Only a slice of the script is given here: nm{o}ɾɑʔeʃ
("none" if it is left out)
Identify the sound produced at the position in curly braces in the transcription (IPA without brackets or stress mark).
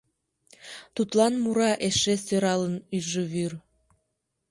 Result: u